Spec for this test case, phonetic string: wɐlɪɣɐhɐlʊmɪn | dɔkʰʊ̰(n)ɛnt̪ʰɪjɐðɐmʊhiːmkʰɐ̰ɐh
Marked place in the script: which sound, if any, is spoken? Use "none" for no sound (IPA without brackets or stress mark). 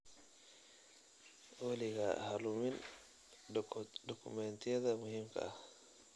m